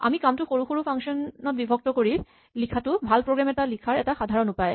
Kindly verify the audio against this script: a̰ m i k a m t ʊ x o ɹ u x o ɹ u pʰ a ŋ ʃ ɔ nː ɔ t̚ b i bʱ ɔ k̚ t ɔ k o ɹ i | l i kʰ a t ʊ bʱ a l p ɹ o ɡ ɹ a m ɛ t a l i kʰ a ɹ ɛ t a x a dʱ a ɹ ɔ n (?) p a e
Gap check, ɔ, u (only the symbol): u